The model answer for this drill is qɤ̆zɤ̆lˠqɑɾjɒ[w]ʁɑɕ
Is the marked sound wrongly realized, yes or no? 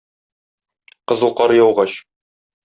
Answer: no